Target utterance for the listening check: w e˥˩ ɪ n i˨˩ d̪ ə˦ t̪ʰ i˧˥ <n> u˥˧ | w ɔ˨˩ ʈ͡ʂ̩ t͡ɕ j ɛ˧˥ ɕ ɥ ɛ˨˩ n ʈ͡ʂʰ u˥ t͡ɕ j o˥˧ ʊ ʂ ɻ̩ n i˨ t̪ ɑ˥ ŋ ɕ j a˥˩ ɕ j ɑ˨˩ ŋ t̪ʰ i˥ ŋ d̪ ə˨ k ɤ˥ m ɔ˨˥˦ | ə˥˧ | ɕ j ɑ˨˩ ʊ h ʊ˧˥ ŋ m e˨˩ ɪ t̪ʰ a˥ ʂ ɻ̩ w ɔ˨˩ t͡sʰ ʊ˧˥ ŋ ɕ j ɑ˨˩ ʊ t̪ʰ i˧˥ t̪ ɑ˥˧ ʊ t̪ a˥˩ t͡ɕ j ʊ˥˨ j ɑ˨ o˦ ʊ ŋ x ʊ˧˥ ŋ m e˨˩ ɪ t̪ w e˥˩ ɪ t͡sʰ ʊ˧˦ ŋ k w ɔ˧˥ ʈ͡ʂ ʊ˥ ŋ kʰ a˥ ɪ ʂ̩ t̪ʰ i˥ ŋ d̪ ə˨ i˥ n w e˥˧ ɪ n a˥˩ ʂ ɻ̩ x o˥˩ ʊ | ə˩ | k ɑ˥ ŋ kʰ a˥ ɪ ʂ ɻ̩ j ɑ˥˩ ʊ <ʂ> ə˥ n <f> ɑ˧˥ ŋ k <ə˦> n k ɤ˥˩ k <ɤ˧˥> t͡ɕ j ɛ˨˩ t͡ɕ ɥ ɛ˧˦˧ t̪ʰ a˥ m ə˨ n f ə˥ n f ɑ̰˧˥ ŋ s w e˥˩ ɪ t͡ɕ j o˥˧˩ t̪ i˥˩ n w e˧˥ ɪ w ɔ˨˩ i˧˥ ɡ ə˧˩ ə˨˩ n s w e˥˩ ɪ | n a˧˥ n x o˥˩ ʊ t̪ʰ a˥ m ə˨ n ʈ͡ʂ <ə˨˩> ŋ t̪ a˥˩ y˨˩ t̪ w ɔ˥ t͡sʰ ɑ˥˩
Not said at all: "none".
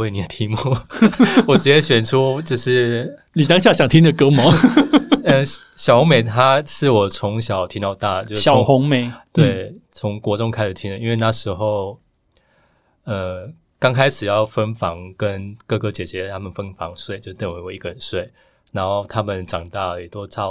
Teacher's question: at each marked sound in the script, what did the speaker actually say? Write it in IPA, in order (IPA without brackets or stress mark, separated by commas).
m, f, f, ə˦, ɤ˥, ɑ˨˩